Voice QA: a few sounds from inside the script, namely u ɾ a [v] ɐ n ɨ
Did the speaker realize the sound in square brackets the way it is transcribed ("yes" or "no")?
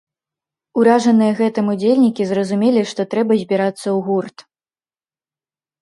no